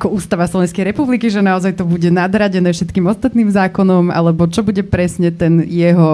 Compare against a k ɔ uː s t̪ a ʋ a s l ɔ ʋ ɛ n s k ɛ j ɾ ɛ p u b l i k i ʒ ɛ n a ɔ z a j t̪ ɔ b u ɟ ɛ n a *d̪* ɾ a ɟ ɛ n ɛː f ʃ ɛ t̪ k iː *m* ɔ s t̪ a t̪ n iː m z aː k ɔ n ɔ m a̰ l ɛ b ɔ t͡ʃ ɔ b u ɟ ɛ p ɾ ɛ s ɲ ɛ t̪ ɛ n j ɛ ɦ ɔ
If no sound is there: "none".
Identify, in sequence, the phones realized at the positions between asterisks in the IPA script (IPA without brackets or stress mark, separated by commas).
d̪, m